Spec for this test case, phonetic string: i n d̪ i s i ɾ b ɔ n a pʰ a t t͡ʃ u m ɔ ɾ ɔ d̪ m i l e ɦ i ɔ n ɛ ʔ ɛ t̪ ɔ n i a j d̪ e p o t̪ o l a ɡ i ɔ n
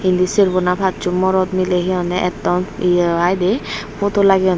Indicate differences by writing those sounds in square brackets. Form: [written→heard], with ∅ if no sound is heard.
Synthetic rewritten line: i n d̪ i s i ɾ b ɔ n a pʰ a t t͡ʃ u m ɔ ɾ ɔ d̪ m i l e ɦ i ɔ n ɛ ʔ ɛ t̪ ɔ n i a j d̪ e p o t̪ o l a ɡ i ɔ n